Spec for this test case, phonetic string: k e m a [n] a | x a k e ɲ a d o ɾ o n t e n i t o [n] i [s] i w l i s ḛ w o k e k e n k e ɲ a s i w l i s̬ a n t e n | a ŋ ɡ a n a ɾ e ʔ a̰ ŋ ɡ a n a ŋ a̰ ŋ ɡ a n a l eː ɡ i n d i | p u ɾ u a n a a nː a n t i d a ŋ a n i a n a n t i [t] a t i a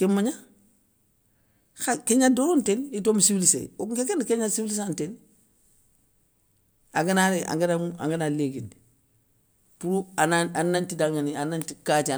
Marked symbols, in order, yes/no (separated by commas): no, no, yes, no